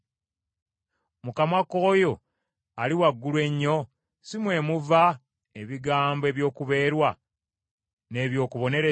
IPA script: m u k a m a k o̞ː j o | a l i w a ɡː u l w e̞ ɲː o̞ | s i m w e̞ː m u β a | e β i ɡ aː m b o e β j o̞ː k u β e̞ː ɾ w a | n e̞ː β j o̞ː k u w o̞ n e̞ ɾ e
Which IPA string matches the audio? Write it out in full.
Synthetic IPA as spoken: m u k a m a k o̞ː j o | a l i w a ɡː u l w e̞ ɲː o̞ | s i m w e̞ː m u v a | e β i ɡ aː m b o e β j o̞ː k u β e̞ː ɾ w a | n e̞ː β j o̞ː k u β o̞ n e̞ ɾ e